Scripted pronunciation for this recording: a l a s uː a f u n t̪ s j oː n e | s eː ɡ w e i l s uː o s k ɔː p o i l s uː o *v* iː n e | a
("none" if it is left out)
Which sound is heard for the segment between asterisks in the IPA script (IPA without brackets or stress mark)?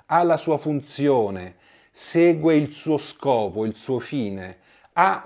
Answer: f